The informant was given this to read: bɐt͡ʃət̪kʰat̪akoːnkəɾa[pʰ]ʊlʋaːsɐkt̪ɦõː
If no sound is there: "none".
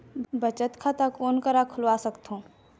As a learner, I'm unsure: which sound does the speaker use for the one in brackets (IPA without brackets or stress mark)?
kʰ